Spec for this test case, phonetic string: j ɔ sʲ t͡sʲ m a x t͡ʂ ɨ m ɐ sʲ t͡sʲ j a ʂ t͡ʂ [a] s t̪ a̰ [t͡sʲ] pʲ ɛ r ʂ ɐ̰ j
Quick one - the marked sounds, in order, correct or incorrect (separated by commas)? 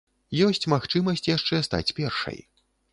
incorrect, correct